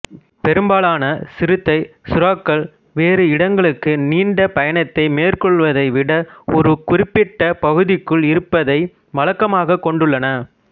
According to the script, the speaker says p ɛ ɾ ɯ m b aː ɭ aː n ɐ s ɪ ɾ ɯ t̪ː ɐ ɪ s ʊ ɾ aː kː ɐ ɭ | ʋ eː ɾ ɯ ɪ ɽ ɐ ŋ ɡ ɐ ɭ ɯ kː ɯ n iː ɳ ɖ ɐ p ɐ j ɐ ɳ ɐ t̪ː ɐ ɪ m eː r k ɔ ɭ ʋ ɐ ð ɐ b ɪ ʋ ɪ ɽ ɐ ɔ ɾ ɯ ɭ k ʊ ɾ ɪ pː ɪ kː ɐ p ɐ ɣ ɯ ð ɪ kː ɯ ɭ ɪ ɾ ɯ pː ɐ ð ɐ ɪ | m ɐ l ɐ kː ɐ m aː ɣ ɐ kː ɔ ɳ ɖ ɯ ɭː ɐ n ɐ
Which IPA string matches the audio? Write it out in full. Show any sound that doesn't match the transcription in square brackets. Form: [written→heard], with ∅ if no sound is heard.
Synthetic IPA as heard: p ɛ ɾ ɯ m b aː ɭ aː n ɐ s ɪ ɾ ɯ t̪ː ɐ ɪ s ʊ ɾ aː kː ɐ ɭ | ʋ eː ɾ ɯ ɪ ɽ ɐ ŋ ɡ ɐ ɭ ɯ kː ɯ n iː ɳ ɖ ɐ p ɐ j ɐ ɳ ɐ t̪ː ɐ ɪ m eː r k ɔ ɭ ʋ ɐ ð ɐ [b→∅] ɪ ʋ ɪ ɽ ɐ ɔ ɾ ɯ [ɭ→∅] k ʊ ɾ ɪ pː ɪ [kː→ʈː] ɐ p ɐ ɣ ɯ ð ɪ kː ɯ ɭ ɪ ɾ ɯ pː ɐ ð ɐ ɪ | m ɐ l ɐ kː ɐ m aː ɣ ɐ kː ɔ ɳ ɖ ɯ ɭː ɐ n ɐ